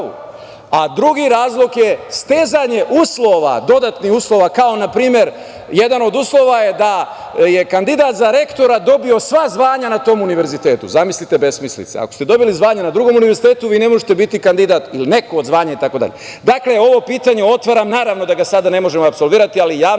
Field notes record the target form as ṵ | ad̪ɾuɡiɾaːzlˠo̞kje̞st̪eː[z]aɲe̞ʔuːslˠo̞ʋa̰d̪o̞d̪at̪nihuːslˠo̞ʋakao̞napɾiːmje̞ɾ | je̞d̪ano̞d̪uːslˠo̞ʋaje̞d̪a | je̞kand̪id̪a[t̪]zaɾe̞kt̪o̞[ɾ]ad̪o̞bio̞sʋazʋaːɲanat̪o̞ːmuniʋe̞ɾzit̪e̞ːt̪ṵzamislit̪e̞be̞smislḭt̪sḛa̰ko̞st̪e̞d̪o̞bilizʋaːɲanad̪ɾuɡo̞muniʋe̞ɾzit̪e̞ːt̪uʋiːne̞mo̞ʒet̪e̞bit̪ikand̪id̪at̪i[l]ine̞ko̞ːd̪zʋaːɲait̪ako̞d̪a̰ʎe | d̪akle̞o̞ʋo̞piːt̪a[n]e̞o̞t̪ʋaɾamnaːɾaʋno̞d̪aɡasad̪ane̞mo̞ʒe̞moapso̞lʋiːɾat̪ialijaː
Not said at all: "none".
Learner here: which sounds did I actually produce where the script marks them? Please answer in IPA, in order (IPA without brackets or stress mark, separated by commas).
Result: z, t̪, ɾ, l, ɲ